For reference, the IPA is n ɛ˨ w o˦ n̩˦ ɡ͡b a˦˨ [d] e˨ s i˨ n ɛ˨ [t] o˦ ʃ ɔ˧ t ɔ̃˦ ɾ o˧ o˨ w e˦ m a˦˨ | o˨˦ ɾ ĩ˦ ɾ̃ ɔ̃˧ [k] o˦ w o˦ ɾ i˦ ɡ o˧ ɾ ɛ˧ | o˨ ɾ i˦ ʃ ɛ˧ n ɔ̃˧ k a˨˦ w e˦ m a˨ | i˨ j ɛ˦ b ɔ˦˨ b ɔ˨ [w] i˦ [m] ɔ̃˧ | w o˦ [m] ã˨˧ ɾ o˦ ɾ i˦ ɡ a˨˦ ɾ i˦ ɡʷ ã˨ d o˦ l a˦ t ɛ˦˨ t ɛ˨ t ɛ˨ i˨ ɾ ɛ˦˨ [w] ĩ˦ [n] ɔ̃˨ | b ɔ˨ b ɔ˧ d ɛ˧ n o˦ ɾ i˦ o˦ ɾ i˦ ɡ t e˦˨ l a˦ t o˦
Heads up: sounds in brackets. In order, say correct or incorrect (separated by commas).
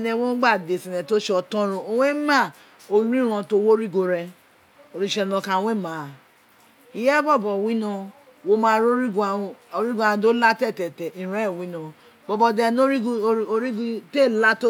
correct, correct, incorrect, correct, incorrect, correct, correct, correct